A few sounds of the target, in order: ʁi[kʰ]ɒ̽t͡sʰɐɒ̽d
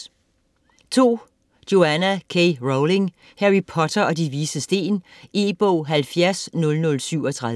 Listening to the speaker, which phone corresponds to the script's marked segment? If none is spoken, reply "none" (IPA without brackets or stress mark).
pʰ